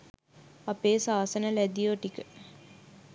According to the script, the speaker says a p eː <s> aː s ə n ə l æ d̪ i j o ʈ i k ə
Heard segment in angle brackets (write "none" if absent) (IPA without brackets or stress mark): s